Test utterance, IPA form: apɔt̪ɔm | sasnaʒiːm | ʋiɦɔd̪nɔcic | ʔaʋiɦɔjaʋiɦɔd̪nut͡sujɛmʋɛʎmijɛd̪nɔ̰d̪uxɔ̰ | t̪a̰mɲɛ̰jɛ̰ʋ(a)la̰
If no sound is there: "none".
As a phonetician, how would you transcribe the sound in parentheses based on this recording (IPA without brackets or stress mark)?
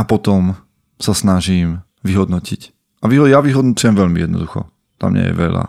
ɛ